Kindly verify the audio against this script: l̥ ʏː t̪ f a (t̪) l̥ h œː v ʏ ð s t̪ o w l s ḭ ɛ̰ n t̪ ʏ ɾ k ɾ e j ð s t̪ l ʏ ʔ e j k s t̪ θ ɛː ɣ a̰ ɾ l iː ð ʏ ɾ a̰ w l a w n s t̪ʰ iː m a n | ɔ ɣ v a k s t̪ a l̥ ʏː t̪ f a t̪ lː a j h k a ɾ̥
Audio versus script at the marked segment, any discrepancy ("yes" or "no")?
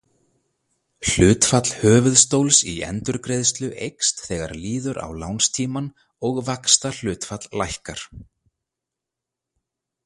no